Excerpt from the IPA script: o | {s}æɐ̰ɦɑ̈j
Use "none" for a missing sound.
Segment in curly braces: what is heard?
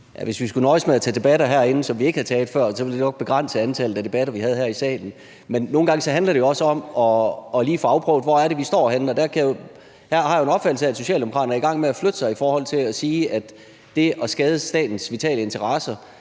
h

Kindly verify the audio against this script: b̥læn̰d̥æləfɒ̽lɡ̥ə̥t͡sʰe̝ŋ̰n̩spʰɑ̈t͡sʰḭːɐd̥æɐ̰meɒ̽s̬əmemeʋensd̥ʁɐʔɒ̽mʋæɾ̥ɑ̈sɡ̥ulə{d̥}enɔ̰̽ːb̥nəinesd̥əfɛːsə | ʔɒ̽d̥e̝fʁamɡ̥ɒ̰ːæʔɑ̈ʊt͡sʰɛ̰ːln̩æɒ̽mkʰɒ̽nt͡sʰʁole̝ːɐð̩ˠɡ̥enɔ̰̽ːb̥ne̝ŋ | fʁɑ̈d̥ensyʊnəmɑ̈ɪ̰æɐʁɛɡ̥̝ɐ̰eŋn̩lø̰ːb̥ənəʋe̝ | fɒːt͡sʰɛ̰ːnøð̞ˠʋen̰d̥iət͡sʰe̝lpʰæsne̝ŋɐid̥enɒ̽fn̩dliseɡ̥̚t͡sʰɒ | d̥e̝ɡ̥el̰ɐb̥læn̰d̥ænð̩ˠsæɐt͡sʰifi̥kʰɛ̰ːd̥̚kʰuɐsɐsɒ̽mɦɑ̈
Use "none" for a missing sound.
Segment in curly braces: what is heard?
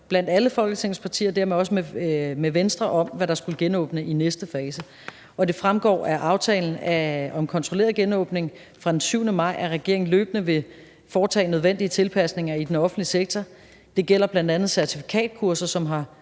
ɡ̥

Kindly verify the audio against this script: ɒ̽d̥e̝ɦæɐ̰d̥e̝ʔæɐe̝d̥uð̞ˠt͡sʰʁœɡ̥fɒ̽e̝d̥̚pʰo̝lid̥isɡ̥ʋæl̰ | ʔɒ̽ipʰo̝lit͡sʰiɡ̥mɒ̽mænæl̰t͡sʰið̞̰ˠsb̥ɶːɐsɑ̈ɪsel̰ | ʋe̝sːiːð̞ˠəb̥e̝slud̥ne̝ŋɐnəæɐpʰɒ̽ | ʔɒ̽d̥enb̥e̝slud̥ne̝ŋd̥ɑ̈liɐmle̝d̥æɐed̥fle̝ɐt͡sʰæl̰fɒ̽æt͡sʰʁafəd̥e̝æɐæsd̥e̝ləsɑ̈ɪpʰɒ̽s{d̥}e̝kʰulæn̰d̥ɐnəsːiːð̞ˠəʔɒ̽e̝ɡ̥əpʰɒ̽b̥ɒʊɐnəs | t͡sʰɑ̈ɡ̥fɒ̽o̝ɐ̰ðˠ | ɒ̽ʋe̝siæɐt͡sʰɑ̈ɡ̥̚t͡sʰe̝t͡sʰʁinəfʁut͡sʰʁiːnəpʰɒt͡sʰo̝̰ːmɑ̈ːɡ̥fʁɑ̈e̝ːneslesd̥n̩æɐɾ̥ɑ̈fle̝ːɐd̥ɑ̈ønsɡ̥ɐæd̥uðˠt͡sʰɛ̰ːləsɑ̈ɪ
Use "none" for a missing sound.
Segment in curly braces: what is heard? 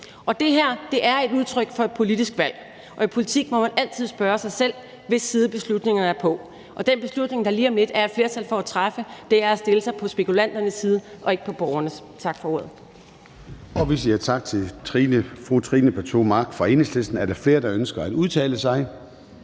b̥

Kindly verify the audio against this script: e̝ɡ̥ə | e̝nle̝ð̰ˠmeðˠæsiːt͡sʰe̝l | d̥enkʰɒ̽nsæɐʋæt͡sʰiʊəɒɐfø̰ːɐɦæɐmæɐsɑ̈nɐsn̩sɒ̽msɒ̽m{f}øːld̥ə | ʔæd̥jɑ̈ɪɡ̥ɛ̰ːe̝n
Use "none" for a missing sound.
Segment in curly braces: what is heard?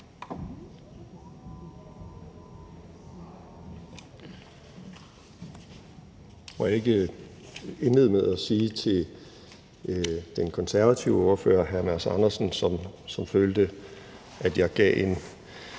f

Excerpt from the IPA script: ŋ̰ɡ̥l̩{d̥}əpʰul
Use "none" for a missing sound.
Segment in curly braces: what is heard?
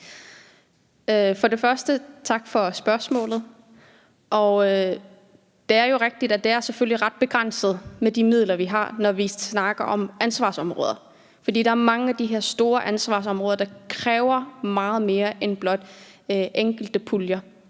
d̥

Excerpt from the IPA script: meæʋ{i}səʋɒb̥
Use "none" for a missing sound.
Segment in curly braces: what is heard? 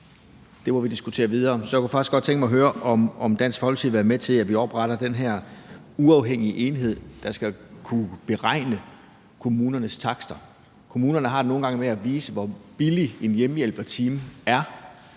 iː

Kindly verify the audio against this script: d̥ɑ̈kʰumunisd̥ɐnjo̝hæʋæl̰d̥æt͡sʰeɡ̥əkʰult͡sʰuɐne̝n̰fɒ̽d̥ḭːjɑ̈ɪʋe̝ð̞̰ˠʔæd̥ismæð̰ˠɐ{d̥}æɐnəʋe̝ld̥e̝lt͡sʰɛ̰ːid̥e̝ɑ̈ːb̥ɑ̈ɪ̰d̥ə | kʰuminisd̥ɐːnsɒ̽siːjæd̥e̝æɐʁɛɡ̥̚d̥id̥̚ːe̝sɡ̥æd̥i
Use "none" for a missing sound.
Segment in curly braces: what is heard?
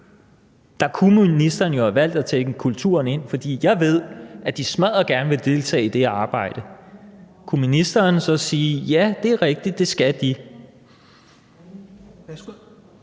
ɡ̥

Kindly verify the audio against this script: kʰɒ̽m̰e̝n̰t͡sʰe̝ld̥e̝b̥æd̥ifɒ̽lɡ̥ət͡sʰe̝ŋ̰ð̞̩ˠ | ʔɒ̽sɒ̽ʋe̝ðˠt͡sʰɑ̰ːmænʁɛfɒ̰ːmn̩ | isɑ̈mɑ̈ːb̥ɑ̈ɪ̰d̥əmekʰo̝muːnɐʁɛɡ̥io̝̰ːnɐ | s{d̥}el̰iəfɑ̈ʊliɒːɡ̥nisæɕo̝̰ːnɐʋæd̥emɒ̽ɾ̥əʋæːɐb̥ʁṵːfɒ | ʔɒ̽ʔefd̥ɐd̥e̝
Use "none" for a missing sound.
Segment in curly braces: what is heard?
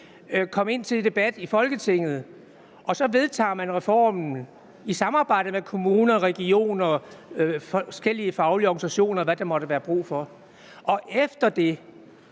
ɡ̥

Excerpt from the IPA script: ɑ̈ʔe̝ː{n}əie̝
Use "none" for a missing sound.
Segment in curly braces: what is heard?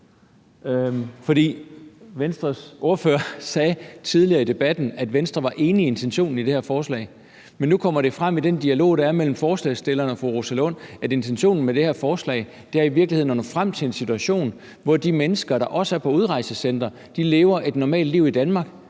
n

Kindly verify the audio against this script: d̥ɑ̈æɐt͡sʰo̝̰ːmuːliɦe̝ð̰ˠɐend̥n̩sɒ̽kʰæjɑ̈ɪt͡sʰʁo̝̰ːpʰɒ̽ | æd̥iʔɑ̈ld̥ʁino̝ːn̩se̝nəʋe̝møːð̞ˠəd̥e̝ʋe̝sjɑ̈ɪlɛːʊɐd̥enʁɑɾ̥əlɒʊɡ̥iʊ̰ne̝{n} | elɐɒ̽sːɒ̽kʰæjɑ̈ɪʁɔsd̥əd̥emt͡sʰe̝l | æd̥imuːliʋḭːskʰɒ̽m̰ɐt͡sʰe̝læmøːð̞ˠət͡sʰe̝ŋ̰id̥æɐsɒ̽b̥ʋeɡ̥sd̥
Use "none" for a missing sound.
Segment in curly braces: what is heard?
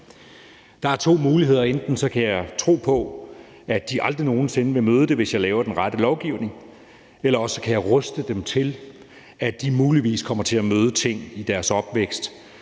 ŋ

